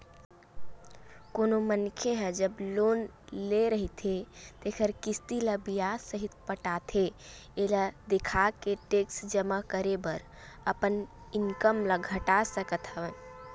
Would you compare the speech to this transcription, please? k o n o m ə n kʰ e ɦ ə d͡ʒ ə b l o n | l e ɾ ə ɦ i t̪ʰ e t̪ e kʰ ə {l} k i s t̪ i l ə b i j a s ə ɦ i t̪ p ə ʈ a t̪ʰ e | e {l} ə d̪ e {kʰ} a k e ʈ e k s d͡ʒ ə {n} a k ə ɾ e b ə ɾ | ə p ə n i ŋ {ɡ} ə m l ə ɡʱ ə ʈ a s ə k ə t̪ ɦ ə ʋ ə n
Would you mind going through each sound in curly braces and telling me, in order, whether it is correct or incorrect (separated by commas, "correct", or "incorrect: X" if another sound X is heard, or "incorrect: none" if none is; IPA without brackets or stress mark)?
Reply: incorrect: ɾ, correct, correct, incorrect: m, incorrect: k